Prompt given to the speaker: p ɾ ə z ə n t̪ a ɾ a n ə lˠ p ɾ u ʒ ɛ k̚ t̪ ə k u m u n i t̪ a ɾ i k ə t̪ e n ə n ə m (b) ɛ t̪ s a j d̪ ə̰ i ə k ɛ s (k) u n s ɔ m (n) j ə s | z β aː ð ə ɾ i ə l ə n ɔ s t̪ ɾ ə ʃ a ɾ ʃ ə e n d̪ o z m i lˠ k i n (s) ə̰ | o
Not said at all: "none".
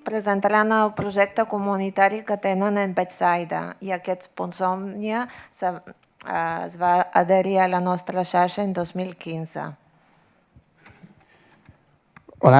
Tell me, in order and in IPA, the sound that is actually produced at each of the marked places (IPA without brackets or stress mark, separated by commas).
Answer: b, p, n, z